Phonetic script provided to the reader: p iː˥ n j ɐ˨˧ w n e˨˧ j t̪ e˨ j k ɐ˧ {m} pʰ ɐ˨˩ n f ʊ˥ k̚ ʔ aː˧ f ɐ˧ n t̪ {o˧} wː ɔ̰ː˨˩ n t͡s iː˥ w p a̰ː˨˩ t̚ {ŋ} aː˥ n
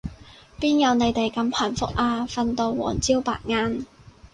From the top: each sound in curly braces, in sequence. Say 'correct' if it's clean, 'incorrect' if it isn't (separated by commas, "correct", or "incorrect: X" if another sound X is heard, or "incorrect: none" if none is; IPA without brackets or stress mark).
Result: correct, correct, correct